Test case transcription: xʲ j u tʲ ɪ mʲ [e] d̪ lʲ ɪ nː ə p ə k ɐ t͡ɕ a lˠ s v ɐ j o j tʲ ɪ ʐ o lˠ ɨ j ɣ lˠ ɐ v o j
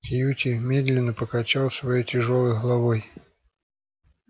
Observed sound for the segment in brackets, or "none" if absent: e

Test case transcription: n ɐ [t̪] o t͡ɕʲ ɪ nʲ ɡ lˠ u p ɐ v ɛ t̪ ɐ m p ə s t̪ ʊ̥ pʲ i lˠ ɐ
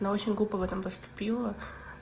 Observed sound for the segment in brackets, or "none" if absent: none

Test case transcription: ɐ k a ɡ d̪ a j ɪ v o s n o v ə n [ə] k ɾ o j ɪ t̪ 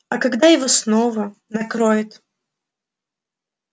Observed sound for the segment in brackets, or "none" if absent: ɐ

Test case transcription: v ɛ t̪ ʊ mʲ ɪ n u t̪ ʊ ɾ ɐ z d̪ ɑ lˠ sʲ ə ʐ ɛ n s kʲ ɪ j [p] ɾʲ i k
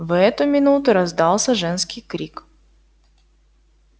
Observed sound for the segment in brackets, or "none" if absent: k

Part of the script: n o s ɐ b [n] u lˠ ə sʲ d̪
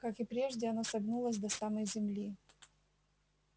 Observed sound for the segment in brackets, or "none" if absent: n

